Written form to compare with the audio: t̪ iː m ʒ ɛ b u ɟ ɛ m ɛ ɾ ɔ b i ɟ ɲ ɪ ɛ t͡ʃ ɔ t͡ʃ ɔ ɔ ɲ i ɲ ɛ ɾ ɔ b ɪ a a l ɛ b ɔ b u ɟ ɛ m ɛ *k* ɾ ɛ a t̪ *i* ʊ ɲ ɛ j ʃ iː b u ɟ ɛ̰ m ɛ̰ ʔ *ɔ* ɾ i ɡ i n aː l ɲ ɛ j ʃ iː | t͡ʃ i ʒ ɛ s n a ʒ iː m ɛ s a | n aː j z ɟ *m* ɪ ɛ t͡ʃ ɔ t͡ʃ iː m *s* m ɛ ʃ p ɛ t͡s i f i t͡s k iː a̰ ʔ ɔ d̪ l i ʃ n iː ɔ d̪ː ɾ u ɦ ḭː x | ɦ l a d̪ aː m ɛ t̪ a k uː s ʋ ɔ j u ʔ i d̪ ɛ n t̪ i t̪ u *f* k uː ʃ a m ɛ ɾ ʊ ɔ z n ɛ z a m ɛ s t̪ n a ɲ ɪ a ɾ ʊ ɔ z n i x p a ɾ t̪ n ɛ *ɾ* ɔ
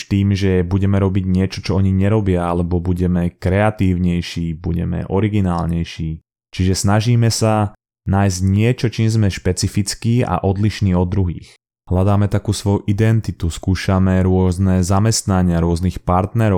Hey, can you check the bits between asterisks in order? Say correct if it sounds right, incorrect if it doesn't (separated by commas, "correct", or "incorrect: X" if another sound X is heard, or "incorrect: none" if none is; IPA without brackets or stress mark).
correct, incorrect: iː, correct, incorrect: ɲ, incorrect: z, incorrect: s, correct